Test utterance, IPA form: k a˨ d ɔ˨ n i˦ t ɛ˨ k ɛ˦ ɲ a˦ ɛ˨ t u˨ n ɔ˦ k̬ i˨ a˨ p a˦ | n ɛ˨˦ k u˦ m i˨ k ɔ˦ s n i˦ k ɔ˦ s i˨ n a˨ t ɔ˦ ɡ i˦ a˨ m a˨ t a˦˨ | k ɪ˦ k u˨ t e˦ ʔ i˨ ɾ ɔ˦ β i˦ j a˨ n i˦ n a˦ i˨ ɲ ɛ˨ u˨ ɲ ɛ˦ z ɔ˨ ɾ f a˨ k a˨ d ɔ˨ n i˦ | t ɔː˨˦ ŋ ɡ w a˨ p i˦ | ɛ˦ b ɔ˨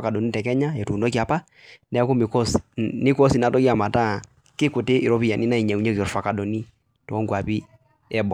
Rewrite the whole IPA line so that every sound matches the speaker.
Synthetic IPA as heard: k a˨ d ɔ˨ n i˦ t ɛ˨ k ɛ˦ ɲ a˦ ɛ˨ t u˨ n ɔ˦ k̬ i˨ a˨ p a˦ | n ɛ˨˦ k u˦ m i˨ k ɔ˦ s n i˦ k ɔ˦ s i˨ n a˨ t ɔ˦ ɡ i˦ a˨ m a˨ t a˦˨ | k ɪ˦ k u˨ t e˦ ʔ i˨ ɾ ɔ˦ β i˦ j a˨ n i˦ n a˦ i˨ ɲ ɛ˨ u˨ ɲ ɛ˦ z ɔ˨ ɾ f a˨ k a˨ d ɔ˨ n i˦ | t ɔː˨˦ ŋ ɡ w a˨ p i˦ | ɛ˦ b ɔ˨